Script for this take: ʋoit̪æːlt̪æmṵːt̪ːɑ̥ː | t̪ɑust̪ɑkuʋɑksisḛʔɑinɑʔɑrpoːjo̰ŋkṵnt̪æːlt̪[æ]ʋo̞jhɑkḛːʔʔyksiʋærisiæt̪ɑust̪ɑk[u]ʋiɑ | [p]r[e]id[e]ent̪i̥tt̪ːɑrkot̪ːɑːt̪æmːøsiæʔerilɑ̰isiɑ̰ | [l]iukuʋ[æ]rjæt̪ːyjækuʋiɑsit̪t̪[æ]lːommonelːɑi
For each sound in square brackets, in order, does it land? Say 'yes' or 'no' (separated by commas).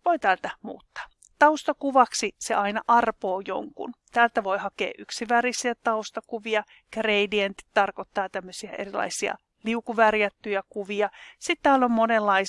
yes, yes, no, yes, no, yes, yes, no